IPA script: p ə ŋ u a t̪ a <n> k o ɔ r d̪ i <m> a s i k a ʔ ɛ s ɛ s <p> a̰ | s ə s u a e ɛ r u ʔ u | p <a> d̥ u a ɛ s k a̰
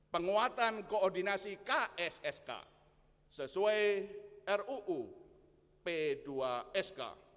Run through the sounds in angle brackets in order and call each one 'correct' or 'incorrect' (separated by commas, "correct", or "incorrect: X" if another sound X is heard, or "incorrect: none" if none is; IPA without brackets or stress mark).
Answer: correct, incorrect: n, incorrect: k, incorrect: e